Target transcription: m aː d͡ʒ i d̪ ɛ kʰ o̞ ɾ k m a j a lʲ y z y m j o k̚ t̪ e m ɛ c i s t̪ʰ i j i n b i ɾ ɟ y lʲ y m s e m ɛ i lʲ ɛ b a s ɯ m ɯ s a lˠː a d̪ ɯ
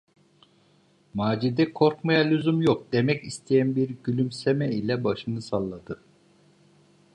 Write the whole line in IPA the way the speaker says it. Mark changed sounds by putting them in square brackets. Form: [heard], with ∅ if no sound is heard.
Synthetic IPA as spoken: m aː d͡ʒ i d̪ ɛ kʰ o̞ ɾ k m a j a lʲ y z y m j o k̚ [d̪] e m ɛ c i s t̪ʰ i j [æ] n b i ɾ ɟ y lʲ y m s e m ɛ i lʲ ɛ b a [ʃ] ɯ [n] ɯ s a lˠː a d̪ ɯ